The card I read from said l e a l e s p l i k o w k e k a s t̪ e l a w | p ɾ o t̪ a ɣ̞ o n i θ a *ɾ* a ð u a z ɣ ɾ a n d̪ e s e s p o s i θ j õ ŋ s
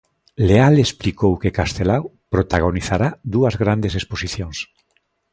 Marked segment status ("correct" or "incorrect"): correct